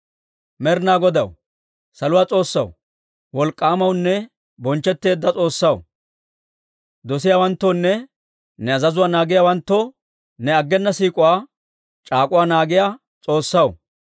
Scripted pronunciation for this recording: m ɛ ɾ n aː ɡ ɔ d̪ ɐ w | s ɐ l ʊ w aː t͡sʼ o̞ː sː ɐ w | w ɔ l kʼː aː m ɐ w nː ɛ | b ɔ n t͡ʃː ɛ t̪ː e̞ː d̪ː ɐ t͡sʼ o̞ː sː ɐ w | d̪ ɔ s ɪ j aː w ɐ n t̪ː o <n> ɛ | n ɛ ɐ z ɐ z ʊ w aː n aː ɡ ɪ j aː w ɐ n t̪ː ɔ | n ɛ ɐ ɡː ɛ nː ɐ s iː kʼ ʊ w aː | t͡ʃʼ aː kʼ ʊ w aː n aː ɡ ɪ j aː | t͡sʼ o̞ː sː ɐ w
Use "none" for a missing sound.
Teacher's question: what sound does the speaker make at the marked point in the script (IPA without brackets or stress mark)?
nː